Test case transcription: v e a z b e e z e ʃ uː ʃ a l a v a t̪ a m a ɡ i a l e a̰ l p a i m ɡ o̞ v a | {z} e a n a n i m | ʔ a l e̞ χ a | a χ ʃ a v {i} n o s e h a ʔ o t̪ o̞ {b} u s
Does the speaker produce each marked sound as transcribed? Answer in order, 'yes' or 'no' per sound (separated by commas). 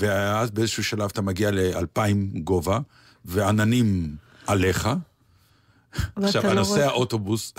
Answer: no, no, yes